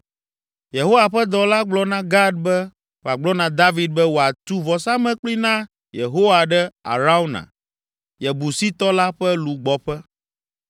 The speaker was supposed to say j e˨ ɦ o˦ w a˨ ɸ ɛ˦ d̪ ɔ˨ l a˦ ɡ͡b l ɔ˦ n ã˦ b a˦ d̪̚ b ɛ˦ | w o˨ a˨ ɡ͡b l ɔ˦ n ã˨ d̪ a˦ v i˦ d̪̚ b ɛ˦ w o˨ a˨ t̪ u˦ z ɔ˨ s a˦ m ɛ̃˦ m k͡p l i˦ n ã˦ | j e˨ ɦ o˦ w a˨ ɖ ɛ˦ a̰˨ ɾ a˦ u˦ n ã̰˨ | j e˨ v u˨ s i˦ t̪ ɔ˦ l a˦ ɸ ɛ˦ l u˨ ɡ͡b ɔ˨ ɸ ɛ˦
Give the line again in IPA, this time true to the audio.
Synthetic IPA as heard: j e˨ ɦ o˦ w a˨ ɸ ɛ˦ d̪ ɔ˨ l a˦ ɡ͡b l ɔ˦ n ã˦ ɡ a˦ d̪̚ b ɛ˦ | w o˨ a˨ ɡ͡b l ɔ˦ n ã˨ d̪ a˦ v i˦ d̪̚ b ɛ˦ w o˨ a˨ t̪ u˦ v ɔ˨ s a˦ m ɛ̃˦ k͡p l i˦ n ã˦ | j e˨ ɦ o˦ w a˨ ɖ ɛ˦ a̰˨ ɾ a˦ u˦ n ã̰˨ | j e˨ b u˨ s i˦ t̪ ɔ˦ l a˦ ɸ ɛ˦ l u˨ ɡ͡b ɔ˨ ɸ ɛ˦